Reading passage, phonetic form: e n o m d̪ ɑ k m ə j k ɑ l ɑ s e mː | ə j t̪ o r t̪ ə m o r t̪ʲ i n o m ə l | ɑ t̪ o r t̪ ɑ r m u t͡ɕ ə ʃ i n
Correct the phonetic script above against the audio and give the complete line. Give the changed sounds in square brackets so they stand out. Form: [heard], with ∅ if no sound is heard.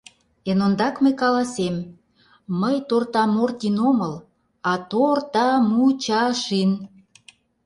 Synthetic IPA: e n o [n] d̪ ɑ k m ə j k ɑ l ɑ s e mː | ə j t̪ o r t̪ [ɑ] m o r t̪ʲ i n o m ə l | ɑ t̪ o r t̪ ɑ [∅] m u t͡ɕ [ɑ] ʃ i n